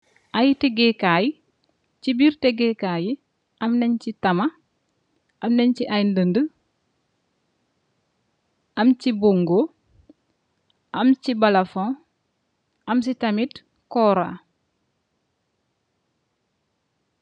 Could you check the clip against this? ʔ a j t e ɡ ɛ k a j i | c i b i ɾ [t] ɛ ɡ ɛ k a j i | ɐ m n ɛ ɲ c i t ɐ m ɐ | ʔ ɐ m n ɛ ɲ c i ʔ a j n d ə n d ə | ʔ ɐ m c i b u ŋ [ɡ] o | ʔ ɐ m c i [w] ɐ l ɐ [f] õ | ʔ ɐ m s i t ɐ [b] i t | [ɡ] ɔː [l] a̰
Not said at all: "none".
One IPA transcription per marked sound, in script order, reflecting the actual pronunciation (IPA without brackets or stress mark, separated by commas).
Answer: t, ɡ, b, f, m, k, ɾ